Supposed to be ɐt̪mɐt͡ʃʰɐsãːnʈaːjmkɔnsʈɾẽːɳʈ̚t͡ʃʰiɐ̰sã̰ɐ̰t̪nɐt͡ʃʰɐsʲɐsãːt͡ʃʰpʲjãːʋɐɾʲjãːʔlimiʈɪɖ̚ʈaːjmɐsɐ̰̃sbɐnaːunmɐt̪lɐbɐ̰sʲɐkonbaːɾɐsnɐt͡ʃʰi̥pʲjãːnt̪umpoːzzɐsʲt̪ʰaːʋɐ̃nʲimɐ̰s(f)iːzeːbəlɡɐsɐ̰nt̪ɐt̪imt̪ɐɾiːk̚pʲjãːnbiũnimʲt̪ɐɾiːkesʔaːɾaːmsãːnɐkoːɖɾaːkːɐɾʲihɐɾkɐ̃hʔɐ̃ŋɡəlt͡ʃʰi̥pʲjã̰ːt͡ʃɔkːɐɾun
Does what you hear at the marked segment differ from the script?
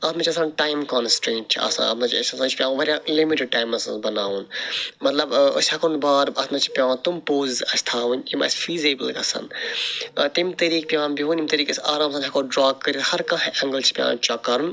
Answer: no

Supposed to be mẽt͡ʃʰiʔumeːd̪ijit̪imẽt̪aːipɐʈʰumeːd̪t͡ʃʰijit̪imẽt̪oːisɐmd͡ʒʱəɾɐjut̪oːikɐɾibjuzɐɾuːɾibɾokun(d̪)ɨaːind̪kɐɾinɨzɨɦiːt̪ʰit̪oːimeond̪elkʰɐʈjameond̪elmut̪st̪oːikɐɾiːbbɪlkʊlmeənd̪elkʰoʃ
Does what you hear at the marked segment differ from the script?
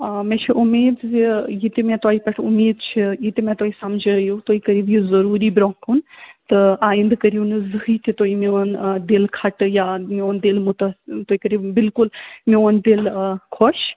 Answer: yes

